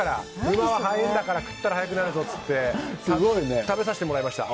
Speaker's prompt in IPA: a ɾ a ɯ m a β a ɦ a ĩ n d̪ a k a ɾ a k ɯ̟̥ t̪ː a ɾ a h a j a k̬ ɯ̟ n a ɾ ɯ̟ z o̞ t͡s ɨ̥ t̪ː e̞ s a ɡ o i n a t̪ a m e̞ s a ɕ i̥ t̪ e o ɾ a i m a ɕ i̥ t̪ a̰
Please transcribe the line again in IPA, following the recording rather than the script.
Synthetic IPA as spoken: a ɾ a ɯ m a β a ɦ a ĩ n d̪ a k a ɾ a k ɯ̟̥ t̪ː a ɾ a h a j a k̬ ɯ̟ n a ɾ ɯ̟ z o̞ t͡s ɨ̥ t̪ː e̞ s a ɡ o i n e t̪ a b e̞ s a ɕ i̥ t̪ e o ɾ a i m a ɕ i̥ t̪ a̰